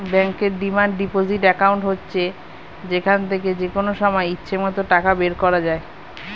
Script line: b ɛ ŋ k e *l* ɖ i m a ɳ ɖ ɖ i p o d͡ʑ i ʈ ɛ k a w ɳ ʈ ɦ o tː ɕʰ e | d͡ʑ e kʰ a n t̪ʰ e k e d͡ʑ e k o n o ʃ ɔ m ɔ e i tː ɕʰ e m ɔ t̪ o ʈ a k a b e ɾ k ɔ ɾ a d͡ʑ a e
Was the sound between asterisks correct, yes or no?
no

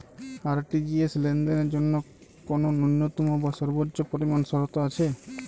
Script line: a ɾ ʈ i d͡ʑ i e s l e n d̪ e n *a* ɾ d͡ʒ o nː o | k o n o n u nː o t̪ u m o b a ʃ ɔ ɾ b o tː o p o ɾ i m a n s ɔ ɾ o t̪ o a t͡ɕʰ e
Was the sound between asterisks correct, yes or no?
no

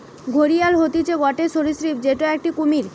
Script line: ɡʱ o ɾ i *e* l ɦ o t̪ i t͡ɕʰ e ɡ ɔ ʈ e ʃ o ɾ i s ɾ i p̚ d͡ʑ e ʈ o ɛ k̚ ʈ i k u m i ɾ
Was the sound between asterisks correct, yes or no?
no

